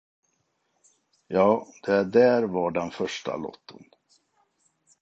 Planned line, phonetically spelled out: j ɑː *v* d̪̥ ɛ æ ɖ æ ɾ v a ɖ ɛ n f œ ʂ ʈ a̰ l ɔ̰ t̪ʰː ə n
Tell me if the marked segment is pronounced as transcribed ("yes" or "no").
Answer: no